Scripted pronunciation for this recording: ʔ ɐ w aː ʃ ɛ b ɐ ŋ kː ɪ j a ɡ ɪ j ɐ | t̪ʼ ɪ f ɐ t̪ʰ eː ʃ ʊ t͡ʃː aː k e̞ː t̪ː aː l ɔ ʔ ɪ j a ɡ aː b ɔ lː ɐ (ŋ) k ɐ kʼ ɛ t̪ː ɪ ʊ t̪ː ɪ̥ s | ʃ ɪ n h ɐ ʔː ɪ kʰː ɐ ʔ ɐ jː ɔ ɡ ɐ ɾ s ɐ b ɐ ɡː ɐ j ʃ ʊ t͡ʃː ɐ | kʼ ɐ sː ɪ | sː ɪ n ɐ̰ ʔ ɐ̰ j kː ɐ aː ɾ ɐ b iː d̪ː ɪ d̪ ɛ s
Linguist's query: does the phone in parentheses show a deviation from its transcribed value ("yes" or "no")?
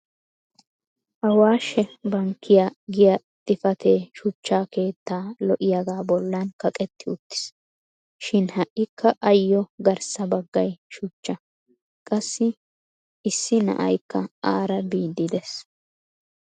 yes